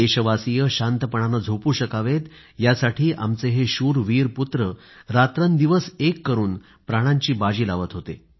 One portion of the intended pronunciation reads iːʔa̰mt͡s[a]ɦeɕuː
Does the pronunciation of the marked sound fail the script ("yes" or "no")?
yes